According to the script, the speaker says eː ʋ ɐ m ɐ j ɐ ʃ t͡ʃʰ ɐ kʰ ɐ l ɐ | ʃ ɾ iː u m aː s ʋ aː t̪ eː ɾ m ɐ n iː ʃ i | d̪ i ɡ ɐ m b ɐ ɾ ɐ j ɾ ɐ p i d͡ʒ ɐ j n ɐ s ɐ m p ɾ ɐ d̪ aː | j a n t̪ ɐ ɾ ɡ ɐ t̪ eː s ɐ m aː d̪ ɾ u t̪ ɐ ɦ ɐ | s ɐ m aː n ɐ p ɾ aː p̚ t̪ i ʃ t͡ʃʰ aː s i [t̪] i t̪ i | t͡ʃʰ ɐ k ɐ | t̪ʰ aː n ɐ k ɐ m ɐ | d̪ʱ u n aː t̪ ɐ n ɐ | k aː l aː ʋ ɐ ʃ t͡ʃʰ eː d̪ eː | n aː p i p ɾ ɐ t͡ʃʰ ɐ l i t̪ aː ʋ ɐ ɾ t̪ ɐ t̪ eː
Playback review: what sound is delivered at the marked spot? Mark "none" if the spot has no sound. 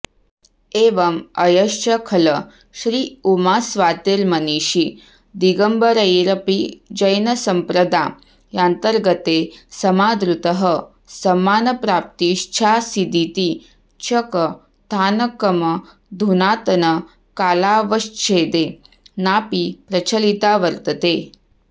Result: d̪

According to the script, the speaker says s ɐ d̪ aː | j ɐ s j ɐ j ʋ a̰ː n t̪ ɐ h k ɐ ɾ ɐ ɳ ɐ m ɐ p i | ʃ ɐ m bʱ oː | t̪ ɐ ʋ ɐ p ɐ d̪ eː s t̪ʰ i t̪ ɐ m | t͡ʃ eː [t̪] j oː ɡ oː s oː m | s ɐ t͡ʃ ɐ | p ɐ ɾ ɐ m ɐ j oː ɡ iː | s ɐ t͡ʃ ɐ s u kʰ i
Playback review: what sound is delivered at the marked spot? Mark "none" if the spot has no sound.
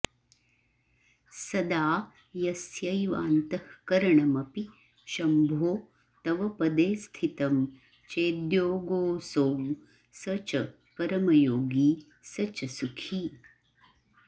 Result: d̪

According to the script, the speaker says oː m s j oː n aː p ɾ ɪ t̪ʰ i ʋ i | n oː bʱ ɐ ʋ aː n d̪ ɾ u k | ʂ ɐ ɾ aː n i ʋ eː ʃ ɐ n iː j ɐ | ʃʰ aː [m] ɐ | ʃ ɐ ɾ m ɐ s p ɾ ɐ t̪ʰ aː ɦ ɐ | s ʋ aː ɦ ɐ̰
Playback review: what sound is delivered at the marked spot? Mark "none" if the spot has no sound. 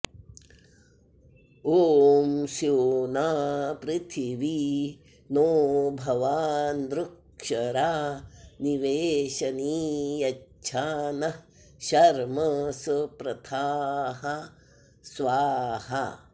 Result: n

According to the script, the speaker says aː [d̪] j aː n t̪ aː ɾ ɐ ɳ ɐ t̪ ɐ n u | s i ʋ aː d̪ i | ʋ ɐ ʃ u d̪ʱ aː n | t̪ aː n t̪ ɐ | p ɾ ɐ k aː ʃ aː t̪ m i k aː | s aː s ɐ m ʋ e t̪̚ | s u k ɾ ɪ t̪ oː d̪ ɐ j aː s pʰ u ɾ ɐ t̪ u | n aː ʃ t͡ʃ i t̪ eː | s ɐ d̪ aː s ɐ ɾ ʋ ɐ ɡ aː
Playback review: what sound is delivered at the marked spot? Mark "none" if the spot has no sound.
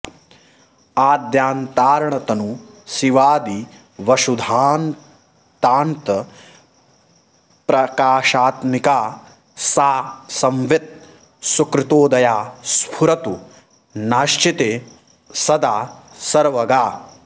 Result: d̪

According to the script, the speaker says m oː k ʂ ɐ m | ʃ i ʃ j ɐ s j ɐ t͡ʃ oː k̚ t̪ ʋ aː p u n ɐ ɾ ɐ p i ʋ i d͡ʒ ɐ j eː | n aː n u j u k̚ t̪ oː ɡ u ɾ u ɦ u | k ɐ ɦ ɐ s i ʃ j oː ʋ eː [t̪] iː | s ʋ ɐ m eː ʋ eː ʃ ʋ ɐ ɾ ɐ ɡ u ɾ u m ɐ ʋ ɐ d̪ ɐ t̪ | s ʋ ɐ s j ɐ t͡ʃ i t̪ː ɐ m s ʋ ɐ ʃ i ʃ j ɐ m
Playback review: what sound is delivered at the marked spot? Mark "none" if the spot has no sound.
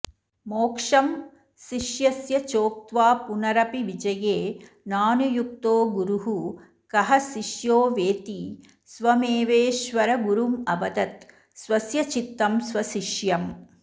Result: t̪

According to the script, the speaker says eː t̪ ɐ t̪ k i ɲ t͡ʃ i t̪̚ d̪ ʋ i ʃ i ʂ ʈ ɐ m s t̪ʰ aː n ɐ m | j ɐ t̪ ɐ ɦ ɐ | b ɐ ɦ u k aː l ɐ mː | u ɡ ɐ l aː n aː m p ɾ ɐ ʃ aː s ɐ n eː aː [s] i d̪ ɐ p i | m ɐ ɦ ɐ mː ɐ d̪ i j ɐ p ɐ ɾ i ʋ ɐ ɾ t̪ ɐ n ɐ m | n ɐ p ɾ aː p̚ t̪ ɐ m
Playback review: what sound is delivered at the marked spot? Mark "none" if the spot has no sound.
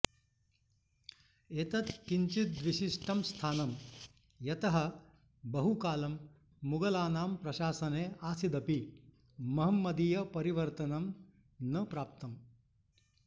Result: s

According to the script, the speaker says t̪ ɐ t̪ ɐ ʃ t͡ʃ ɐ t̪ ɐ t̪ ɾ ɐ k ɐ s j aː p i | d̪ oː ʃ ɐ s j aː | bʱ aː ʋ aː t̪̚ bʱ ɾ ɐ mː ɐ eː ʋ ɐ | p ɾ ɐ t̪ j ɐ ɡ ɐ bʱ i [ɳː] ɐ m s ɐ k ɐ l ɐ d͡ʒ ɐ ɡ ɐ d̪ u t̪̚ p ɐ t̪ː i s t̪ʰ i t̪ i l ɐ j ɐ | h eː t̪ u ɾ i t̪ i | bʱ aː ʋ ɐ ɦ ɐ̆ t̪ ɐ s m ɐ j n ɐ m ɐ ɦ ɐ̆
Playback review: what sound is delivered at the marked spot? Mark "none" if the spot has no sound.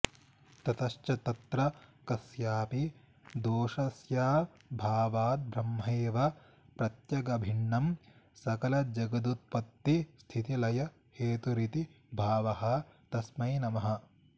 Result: ɳː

